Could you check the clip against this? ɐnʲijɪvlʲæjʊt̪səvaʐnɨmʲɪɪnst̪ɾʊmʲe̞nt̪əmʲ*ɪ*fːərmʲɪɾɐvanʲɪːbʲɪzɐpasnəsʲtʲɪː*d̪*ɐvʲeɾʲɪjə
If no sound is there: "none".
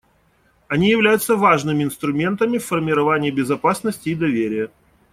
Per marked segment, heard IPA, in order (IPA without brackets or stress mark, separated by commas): ɪ, d̪